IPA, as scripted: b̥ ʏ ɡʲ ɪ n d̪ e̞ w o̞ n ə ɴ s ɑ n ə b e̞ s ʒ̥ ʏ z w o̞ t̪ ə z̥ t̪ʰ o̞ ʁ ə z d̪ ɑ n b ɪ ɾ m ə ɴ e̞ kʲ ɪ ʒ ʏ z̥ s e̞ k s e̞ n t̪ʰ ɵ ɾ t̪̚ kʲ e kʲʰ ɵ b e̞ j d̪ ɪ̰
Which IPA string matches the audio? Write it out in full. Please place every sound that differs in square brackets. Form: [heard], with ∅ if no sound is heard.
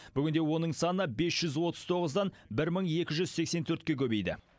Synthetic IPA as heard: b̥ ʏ ɡʲ ɪ n d̪ e̞ w o̞ n ə ɴ s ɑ n ə b e̞ s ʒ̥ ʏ z w o̞ t̪ ə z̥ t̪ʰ o̞ ʁ ə z d̪ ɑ n b ɪ ɾ m ə ɴ e̞ kʲ ɪ ʒ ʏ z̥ s e̞ k s e̞ n t̪ʰ ɵ ɾ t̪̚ kʲ e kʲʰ ɵ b e̞ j d̪ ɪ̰